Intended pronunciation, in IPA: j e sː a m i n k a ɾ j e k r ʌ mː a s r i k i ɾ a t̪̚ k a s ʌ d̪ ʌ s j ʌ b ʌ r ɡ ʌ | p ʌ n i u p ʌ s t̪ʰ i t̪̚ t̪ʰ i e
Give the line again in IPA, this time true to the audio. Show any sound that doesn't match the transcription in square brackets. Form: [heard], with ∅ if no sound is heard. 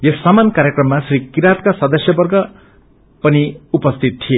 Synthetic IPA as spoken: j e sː a m [a] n k a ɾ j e k r ʌ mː a s r i k i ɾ a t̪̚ k a s ʌ d̪ ʌ s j ʌ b ʌ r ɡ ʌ | p ʌ n i u p ʌ s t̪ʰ i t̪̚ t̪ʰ i e